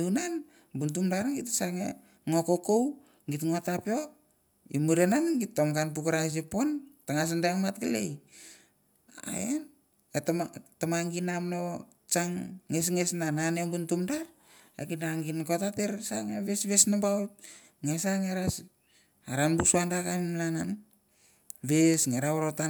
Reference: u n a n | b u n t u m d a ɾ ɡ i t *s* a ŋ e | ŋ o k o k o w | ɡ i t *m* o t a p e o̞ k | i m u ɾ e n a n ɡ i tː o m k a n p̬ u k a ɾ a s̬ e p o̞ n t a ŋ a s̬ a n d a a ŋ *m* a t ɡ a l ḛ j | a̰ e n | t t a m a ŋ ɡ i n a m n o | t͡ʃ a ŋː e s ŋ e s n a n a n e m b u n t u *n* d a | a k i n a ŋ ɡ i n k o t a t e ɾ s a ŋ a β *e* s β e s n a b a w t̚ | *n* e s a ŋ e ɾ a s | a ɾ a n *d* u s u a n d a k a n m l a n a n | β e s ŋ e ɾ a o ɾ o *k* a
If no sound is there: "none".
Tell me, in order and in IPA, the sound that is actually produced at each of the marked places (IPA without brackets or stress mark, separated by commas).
s, ŋ, m, m, e, ŋ, b, t